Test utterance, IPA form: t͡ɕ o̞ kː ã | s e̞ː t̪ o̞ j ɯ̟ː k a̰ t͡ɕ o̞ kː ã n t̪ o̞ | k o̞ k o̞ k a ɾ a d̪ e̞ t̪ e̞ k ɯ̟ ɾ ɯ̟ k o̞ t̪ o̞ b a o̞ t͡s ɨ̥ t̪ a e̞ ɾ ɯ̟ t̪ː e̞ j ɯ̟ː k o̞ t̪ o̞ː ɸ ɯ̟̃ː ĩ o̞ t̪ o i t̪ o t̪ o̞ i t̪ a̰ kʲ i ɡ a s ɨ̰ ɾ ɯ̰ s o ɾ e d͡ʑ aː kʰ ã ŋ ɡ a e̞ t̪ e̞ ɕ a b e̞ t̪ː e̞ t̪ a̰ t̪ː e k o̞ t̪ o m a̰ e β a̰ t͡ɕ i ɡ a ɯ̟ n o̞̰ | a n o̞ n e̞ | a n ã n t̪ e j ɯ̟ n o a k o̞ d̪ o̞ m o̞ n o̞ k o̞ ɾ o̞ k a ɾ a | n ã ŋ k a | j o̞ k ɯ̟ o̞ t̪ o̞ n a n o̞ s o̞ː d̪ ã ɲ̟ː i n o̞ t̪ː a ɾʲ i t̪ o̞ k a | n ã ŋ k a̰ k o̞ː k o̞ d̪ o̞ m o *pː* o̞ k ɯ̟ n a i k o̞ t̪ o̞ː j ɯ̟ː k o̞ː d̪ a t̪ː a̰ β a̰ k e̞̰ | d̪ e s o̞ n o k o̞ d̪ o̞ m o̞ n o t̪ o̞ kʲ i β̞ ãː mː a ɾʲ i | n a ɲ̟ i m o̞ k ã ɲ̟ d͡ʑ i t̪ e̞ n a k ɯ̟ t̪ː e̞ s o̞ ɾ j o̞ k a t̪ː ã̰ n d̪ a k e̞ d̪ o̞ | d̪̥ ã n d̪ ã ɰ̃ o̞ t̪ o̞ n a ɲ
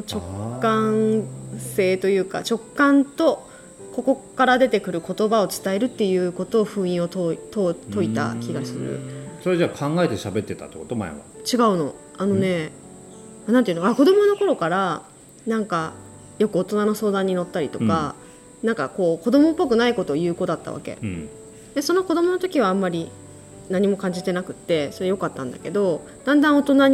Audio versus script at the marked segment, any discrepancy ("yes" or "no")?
no